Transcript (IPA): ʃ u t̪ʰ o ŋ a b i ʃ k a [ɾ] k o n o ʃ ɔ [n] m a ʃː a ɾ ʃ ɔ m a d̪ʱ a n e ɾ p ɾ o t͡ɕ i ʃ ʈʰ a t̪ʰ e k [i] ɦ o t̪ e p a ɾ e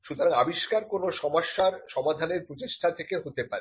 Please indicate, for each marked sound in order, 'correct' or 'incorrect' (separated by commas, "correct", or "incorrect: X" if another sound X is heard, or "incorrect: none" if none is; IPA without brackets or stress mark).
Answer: correct, incorrect: none, incorrect: e